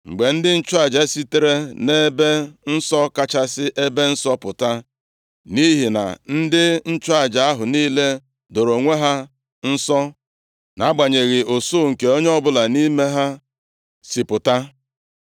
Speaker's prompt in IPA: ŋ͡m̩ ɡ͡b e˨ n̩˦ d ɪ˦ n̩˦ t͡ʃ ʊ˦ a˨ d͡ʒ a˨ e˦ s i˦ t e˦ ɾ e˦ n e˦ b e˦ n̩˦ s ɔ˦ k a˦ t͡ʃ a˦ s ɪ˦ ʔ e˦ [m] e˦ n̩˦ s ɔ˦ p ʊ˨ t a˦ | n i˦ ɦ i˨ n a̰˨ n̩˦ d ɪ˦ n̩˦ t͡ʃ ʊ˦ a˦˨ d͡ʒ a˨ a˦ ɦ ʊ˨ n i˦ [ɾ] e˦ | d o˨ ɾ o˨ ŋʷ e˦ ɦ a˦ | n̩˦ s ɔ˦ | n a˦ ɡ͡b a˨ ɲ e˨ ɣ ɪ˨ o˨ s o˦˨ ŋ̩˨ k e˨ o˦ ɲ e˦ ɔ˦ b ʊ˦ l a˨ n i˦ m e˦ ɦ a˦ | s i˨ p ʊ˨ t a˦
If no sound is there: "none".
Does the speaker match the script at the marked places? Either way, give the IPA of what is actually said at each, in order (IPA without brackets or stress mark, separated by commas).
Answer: b, l